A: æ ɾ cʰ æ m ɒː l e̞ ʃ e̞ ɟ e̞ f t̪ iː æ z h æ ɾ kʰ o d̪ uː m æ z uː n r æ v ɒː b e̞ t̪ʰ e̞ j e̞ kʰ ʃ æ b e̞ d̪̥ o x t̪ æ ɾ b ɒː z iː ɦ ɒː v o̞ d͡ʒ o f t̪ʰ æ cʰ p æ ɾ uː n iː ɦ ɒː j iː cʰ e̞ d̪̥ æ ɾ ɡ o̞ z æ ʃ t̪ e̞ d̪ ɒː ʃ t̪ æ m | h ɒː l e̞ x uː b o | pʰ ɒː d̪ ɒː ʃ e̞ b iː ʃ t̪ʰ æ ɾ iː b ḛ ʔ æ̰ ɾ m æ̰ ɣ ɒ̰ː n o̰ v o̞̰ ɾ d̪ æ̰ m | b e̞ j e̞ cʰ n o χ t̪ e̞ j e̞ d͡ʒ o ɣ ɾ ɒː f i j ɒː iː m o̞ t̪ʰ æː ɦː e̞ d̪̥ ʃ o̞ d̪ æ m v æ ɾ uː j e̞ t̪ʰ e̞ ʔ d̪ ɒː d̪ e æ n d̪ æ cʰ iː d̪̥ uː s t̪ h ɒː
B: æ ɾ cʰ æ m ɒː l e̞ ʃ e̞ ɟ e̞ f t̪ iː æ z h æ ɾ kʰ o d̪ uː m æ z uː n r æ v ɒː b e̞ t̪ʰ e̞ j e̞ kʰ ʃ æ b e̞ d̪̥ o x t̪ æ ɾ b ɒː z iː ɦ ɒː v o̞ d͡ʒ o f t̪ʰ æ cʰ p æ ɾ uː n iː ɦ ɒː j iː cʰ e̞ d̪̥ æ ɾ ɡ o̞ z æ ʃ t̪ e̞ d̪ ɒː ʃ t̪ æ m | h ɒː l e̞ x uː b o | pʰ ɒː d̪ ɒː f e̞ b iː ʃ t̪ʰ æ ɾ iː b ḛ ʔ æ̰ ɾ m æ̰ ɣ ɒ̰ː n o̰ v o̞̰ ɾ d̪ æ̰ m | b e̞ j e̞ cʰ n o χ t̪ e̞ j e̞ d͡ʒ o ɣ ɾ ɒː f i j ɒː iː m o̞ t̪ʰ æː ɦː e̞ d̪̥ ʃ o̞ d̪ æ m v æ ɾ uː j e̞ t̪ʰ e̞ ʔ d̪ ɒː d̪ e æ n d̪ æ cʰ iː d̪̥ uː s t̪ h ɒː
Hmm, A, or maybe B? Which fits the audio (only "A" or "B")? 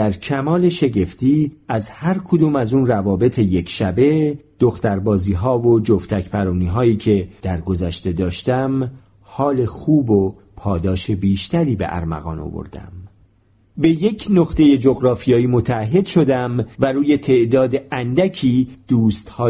A